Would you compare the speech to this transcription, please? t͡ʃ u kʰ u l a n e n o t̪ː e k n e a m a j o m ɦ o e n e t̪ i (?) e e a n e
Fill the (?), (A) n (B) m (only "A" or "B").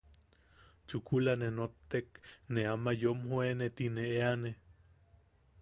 A